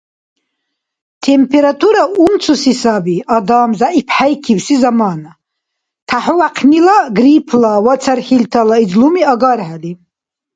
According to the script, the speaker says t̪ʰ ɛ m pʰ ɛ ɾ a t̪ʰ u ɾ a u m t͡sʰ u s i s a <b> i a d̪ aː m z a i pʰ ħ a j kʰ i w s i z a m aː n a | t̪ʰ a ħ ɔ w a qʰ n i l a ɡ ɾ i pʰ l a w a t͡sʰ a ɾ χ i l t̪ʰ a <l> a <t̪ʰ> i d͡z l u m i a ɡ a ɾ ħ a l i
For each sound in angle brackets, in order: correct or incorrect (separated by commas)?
correct, correct, incorrect